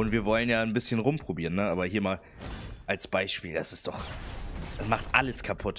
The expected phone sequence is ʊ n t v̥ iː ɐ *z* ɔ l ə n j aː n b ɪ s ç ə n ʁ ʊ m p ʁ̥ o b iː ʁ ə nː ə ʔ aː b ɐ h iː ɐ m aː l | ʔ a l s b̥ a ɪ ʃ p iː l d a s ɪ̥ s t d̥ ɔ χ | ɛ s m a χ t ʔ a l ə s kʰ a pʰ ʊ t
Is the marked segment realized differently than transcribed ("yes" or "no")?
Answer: yes